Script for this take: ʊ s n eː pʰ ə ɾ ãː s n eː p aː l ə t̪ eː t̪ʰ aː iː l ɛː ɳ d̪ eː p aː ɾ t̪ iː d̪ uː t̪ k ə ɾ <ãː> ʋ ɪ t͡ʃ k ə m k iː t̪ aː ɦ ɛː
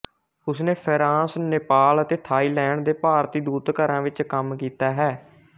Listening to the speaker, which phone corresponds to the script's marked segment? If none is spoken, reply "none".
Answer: ãː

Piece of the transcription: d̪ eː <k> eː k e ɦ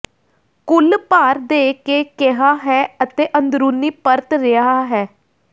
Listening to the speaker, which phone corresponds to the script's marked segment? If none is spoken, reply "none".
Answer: k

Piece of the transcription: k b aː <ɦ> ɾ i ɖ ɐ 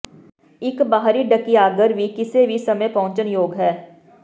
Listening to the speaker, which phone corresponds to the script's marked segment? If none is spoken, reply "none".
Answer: ɦ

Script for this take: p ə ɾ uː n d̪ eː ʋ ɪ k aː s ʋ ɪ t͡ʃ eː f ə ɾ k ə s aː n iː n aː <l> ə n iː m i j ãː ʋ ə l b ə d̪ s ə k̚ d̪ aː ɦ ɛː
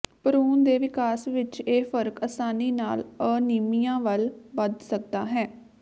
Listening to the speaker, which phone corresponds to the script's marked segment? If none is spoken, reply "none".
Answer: l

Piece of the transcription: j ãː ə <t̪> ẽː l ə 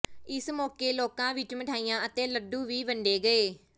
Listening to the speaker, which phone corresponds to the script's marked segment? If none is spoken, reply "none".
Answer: t̪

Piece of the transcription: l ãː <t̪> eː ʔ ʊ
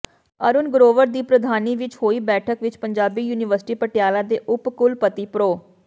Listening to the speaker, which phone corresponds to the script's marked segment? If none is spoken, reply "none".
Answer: d̪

